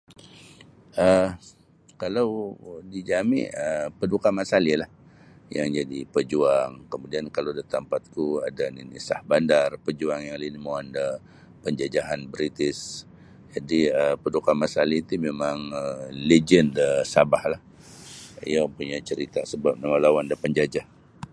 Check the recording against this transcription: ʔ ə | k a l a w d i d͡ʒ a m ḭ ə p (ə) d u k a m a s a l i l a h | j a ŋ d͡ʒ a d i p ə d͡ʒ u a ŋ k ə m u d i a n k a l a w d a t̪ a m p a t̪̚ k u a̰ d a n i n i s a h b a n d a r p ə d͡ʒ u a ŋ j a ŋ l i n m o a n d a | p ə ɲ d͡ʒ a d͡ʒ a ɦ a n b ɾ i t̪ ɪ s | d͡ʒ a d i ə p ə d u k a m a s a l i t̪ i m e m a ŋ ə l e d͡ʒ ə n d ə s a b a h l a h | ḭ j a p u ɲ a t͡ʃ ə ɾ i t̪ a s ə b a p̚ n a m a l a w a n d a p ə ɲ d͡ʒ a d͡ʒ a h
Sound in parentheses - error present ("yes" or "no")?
no